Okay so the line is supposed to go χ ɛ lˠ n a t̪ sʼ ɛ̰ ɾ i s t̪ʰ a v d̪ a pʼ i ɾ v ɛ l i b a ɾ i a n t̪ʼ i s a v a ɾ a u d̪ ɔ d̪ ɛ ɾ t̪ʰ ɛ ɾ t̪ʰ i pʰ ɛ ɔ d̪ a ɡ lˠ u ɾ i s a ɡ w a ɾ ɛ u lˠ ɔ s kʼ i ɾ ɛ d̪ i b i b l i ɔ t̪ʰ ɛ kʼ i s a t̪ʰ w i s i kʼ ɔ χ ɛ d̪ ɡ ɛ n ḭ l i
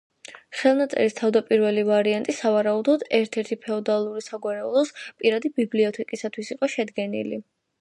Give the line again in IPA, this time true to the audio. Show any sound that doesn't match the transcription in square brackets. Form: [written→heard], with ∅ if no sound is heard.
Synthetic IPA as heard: χ ɛ lˠ n a t̪ sʼ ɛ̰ ɾ i s t̪ʰ a v d̪ a pʼ i ɾ v ɛ l i [b→v] a ɾ i a n t̪ʼ i s a v a ɾ a u d̪ ɔ d̪ ɛ ɾ t̪ʰ ɛ ɾ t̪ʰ i pʰ ɛ ɔ d̪ a [ɡ→∅] lˠ u ɾ i s a ɡ w a ɾ ɛ u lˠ ɔ s [kʼ→pʼ] i ɾ [ɛ→a] d̪ i b i b l i ɔ t̪ʰ ɛ kʼ i s a t̪ʰ w i s i [kʼ→qʼ] ɔ [χ→ʃ] ɛ d̪ ɡ ɛ n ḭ l i